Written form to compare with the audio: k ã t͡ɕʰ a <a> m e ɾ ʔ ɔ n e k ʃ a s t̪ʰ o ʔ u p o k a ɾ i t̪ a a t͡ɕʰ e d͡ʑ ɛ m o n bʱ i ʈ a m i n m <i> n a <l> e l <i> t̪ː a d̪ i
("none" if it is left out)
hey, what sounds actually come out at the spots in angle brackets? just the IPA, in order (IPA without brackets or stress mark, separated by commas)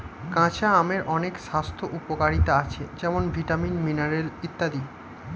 a, i, ɾ, i